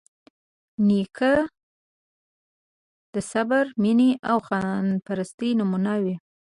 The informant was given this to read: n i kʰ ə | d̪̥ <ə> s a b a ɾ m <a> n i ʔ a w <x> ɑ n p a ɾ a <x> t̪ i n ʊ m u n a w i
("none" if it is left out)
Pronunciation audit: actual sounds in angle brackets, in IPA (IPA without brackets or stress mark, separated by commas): ə, i, x, s